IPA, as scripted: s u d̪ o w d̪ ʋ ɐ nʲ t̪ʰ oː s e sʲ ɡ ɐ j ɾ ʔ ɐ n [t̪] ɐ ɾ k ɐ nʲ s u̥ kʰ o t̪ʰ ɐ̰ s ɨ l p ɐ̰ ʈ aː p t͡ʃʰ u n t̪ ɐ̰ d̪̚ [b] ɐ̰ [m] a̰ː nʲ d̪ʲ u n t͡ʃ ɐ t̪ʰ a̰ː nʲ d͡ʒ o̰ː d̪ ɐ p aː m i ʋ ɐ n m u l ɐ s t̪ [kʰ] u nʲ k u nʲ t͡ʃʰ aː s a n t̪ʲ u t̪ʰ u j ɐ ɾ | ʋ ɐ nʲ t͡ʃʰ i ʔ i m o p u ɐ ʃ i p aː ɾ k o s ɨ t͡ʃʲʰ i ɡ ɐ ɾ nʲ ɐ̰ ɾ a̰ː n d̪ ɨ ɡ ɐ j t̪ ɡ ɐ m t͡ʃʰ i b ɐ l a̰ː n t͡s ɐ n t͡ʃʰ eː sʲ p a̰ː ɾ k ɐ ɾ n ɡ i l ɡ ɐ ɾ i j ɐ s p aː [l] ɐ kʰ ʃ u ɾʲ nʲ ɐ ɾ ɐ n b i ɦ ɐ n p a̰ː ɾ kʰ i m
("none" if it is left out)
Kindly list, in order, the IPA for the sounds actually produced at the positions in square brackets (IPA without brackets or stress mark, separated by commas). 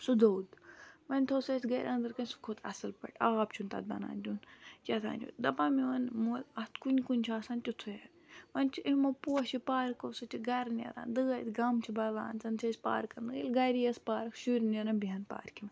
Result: d̪, b, n, k, ɾ